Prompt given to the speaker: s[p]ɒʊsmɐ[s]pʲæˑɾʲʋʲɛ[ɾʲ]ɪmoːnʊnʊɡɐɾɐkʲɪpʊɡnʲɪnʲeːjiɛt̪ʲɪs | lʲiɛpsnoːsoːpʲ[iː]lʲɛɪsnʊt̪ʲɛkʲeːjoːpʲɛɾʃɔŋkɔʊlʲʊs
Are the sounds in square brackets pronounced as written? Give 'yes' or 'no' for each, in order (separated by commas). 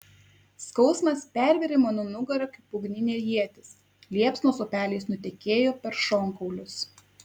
no, yes, yes, no